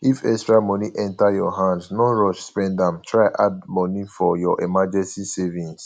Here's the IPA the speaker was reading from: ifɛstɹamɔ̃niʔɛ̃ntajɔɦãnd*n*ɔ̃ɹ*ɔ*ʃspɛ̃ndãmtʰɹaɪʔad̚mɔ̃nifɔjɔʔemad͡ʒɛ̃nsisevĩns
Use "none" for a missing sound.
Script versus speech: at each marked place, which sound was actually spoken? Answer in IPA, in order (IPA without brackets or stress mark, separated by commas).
n, ɔ